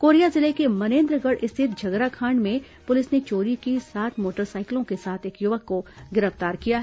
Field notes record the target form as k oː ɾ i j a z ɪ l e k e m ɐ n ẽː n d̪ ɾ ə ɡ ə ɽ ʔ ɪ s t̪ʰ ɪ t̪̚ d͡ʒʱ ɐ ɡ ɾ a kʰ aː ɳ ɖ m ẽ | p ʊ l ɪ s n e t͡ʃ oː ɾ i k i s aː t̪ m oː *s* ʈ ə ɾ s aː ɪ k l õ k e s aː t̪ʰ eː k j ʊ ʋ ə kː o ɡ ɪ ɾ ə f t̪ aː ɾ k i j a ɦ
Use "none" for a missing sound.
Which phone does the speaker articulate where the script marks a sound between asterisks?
none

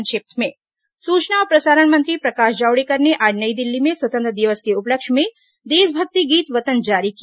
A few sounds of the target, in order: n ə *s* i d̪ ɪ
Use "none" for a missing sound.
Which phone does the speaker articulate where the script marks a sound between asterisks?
none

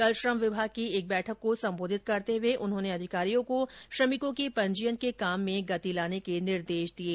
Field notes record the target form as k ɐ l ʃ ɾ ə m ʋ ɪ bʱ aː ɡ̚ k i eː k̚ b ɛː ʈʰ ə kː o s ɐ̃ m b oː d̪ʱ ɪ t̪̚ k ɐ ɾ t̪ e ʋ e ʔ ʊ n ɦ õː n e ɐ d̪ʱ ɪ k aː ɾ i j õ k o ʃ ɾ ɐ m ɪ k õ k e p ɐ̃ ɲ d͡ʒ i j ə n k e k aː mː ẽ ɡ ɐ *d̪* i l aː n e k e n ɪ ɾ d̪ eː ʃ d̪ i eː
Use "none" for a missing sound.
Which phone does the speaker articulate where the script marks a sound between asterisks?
t̪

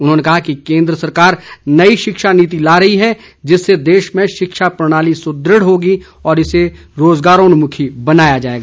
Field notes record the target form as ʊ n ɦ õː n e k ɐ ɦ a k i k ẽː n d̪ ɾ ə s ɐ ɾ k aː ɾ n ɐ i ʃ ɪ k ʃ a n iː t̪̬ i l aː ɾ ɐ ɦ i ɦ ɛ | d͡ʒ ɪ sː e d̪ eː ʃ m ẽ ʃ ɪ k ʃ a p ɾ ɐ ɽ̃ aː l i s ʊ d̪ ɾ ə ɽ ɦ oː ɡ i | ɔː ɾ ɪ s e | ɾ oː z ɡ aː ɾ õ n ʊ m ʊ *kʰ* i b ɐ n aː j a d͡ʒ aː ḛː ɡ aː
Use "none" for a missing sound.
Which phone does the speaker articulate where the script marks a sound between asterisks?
kʰ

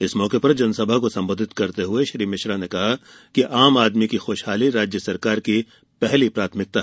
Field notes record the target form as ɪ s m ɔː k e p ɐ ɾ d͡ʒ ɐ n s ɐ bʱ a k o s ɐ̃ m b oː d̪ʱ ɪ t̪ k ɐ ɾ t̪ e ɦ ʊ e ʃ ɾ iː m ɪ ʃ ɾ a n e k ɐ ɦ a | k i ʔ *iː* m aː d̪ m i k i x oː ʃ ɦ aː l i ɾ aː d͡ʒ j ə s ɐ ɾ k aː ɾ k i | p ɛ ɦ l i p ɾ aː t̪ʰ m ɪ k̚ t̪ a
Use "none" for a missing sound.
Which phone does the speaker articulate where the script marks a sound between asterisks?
aː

